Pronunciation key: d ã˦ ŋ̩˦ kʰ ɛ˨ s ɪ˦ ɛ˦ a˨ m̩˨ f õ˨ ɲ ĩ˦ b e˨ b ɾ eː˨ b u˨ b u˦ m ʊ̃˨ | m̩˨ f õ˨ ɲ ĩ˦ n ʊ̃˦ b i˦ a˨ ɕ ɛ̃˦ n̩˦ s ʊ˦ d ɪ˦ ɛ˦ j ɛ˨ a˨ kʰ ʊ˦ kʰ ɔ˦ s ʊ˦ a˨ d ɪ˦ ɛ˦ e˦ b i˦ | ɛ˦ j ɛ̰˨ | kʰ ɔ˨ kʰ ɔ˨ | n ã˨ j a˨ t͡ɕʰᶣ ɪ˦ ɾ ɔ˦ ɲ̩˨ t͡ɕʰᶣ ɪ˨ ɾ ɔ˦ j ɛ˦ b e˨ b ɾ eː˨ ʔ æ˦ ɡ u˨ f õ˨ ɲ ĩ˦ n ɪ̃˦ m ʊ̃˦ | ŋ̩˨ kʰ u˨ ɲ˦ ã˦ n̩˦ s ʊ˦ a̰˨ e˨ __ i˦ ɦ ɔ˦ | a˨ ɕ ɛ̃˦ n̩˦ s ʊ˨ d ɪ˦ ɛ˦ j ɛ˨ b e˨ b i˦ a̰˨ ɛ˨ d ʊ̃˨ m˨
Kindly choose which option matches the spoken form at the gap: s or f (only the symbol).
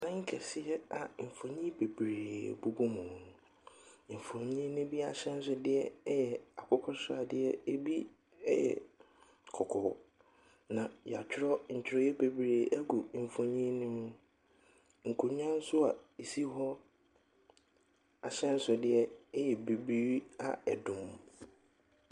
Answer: s